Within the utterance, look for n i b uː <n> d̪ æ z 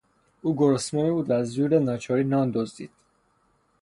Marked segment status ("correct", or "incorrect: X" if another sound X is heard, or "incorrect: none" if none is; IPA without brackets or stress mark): incorrect: none